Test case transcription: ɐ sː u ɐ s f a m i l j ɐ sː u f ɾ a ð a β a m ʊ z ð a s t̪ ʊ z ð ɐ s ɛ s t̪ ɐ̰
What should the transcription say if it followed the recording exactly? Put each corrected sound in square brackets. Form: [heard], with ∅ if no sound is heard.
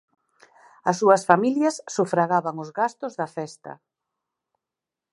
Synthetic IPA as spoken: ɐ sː u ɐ s f a m i l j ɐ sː u f ɾ a [ɣ] a β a [ŋ] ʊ z [ɣ] a s t̪ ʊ z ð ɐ [f] ɛ s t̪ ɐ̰